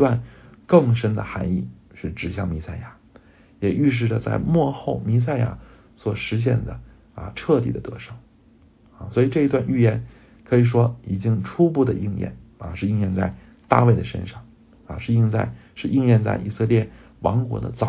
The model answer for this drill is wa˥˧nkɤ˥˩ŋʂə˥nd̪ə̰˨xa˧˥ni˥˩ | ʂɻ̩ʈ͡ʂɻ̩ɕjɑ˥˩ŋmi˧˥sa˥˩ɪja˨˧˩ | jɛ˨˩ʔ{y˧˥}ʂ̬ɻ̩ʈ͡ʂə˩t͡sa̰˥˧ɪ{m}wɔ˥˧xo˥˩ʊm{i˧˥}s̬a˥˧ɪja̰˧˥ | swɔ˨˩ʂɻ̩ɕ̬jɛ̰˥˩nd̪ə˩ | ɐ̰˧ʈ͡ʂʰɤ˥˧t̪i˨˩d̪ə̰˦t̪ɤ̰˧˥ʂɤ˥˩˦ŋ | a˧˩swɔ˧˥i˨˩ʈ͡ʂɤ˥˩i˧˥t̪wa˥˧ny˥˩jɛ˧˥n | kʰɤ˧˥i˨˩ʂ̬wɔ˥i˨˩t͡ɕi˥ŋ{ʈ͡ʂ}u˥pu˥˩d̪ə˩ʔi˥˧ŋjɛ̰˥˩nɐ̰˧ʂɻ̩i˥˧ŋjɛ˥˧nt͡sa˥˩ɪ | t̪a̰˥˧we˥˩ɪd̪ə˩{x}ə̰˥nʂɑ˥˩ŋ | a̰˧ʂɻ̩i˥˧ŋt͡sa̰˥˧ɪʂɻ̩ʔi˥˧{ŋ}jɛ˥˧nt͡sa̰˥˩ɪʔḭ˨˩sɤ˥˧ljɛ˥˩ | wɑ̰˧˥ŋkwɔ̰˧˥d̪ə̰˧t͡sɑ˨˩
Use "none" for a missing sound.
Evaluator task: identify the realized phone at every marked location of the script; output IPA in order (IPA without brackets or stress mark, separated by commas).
y˥˧, m, i˧˥, ʈ͡ʂʰ, ʂ, ŋ